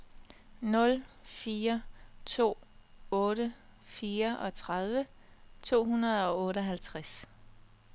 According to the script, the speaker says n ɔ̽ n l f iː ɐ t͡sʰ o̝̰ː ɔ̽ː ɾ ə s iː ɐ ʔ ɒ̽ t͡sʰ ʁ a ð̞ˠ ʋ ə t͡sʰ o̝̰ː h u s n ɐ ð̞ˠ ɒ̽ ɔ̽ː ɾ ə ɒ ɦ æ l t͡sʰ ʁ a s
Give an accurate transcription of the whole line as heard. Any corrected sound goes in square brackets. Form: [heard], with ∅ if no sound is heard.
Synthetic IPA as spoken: n ɔ̽ [∅] l f iː ɐ t͡sʰ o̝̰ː ɔ̽ː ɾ ə [f] iː ɐ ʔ ɒ̽ t͡sʰ ʁ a ð̞ˠ ʋ ə t͡sʰ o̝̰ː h u [∅] n ɐ ð̞ˠ ɒ̽ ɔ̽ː ɾ ə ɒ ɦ æ l t͡sʰ ʁ a s